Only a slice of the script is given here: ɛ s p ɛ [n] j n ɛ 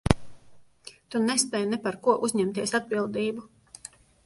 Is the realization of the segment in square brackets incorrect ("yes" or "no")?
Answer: yes